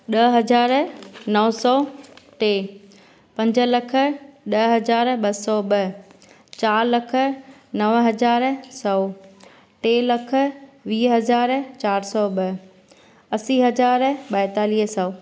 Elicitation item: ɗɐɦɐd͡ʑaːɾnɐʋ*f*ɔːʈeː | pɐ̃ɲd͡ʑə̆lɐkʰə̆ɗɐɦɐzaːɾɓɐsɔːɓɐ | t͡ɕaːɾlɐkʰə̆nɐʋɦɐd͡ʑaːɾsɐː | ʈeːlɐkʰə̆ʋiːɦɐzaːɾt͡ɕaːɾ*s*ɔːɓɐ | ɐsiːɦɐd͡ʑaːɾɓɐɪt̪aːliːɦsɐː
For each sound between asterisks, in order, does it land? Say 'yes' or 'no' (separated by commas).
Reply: no, yes